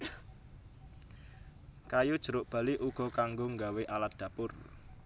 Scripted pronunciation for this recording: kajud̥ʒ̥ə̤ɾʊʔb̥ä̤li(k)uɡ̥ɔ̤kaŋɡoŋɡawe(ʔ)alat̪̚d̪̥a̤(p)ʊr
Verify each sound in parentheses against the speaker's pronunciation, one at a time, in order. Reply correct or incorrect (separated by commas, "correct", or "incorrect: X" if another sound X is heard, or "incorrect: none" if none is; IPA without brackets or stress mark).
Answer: incorrect: ʔ, correct, correct